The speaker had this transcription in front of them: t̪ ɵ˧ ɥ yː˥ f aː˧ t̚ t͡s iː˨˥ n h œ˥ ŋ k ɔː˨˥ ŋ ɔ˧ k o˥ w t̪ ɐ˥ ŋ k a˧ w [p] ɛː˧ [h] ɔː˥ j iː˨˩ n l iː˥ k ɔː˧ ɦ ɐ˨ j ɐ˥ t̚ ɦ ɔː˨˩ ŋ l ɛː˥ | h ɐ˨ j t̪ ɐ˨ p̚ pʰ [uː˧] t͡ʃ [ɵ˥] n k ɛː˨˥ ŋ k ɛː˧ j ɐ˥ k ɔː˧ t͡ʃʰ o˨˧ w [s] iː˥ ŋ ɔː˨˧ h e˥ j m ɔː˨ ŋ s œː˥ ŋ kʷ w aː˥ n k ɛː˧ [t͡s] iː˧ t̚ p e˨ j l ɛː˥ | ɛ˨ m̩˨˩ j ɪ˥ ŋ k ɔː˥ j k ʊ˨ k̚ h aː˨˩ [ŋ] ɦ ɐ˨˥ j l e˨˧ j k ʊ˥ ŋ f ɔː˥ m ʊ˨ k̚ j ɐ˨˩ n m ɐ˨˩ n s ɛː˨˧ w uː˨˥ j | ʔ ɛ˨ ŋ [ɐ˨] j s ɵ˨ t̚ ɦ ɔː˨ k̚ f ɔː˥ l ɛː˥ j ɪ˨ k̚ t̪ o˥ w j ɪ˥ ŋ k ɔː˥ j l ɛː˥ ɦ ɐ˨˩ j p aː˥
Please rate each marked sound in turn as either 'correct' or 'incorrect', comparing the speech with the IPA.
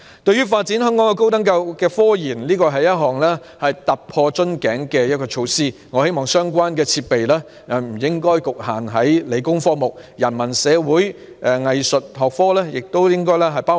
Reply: incorrect, incorrect, incorrect, correct, correct, incorrect, incorrect, correct

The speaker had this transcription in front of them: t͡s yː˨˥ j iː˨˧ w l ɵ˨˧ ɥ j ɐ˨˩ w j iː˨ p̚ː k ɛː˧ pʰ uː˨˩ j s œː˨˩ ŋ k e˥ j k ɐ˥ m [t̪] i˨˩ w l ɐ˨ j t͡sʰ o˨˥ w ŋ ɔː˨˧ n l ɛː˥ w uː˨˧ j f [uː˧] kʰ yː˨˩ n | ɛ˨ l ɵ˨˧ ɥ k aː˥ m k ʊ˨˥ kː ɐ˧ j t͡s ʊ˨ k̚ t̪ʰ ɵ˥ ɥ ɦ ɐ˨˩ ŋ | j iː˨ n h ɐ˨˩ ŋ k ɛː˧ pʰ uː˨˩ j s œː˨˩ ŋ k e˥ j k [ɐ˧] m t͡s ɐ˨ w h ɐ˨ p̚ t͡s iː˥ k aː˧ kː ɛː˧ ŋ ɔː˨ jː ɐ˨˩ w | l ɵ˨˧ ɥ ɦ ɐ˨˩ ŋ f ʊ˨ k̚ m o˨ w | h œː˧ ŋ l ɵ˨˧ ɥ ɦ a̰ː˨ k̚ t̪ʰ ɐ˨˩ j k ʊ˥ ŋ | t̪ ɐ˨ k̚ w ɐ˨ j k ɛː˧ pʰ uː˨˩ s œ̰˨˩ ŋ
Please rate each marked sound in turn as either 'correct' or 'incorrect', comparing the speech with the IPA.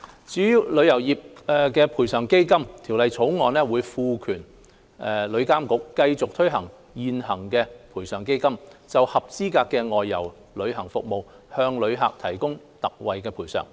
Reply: incorrect, correct, incorrect

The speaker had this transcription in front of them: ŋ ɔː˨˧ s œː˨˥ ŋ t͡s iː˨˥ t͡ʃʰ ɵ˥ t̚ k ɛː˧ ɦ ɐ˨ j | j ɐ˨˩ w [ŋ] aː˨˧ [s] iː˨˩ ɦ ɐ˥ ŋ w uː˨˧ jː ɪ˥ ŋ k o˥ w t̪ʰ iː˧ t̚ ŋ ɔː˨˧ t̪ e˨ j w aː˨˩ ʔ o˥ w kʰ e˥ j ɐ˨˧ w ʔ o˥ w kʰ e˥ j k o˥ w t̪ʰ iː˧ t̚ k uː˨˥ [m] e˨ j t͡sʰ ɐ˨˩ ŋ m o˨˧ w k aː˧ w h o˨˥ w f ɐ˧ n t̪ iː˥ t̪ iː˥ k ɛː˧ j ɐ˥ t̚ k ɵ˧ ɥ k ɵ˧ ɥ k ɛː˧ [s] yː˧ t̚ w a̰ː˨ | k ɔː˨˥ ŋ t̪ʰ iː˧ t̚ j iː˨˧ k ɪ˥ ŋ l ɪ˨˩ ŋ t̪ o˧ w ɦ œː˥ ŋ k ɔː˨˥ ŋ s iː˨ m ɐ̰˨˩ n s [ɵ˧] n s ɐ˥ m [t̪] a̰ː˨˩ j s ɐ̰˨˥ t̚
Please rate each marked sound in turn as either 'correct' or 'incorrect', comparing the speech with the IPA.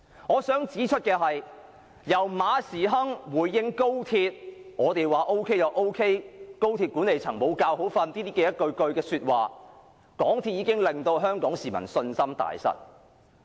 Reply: incorrect, correct, incorrect, correct, correct, correct

